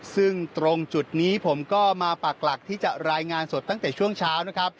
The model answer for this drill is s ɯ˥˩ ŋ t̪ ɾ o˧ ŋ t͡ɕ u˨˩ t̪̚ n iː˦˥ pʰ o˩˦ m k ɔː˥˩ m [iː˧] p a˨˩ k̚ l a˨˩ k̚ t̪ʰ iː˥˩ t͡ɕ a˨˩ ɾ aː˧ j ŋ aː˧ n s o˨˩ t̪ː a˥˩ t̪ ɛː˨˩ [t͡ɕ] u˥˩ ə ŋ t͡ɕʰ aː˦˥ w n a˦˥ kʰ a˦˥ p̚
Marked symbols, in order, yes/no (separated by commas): no, no